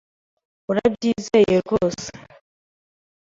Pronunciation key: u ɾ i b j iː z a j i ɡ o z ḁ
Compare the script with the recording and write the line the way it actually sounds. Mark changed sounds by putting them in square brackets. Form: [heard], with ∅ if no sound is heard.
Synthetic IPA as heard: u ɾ [a] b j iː z [e] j [e] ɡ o [s] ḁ